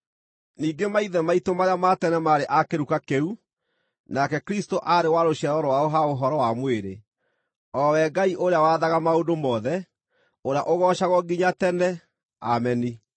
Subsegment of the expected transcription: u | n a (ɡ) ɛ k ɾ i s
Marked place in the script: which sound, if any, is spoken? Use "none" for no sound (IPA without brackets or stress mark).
k